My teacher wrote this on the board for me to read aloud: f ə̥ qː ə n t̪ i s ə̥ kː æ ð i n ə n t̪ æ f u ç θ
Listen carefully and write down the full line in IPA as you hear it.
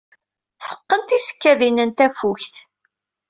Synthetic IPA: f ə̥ qː ə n t̪ i s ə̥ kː æ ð i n ə n t̪ æ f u ç θ